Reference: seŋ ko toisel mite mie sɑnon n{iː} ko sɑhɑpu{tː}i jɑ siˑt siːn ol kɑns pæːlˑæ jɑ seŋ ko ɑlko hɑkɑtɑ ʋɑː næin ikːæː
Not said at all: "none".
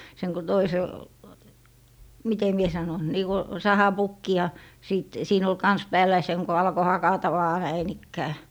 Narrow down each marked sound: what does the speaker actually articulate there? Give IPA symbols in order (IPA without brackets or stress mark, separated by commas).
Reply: iː, kː